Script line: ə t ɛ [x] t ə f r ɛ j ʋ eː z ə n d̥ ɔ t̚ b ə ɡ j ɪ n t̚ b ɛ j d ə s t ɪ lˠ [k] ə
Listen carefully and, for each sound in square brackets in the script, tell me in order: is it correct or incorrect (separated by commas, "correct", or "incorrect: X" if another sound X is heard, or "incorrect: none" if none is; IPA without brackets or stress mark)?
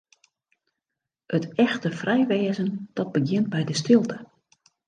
correct, incorrect: t